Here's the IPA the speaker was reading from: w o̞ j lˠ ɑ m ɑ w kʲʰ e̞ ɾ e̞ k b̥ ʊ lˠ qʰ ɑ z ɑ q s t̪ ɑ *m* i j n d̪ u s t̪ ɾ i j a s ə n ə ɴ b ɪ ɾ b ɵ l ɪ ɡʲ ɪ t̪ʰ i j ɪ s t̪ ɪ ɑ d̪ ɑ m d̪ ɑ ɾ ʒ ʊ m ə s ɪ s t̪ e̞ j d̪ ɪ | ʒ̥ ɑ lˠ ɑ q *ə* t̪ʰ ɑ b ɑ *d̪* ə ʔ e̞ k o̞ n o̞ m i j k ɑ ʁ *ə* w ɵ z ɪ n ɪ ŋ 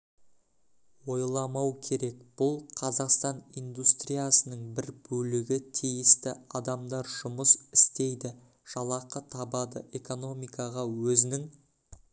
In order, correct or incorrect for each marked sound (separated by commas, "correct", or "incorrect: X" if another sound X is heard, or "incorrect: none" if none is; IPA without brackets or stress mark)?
incorrect: n, correct, correct, incorrect: ɑ